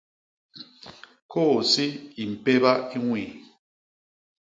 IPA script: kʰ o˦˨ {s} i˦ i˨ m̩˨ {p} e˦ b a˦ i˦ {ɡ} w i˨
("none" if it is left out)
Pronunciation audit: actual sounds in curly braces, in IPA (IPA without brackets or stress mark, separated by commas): s, p, ŋ